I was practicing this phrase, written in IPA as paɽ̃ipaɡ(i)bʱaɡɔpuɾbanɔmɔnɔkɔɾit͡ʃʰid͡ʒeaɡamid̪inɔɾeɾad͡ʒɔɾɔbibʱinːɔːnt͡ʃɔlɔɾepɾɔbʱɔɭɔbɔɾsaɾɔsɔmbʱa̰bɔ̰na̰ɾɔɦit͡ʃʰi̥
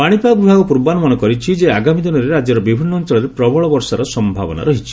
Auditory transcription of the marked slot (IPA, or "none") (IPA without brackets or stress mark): i